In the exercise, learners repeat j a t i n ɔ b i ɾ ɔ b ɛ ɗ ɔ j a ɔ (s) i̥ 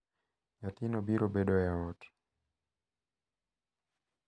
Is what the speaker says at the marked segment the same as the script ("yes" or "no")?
no